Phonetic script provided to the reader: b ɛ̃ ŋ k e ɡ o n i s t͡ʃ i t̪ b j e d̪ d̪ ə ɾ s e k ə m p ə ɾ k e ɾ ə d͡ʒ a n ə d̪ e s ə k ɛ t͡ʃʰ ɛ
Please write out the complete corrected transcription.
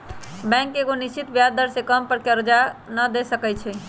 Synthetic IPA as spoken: b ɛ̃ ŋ k e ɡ o n i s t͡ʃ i t̪ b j a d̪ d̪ ə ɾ s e k ə m p ə ɾ k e ɾ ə d͡ʒ a n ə d̪ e s ə k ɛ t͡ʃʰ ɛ